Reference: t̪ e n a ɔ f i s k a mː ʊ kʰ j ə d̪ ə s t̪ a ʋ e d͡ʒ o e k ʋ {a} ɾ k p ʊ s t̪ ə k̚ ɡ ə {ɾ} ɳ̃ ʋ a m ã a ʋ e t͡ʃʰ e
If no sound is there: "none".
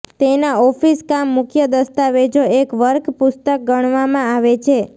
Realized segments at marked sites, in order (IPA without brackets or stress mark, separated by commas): ə, none